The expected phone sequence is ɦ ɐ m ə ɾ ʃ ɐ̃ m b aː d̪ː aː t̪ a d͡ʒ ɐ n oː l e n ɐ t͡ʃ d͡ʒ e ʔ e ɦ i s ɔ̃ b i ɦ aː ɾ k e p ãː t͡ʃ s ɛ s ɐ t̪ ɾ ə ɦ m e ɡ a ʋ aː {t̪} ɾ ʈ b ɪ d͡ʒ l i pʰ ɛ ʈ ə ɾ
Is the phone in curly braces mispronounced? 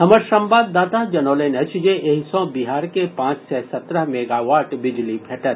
yes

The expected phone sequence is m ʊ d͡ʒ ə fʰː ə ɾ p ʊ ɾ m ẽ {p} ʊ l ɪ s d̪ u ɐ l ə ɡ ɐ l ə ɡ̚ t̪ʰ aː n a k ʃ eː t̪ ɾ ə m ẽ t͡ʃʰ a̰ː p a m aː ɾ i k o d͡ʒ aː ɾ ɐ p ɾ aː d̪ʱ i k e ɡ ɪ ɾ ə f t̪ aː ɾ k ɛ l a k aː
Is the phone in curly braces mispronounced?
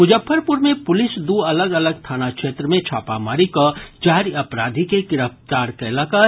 no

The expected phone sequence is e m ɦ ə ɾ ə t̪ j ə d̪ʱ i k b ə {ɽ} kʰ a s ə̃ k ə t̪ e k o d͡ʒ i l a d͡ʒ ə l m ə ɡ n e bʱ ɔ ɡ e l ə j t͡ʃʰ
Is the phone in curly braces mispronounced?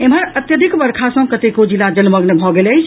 yes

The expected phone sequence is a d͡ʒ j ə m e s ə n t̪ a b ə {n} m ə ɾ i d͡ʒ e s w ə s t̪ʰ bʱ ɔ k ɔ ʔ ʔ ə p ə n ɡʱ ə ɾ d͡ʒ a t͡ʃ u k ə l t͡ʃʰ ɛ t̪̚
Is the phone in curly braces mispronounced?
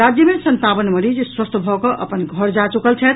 no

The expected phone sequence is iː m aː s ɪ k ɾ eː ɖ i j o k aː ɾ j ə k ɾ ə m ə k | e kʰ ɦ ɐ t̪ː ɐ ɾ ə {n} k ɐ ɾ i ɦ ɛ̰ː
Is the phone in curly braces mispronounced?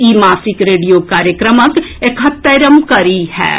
yes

